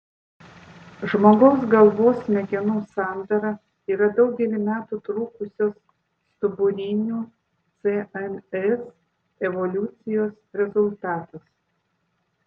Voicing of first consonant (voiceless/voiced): voiced